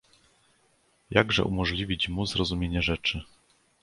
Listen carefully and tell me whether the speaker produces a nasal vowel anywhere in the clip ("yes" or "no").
no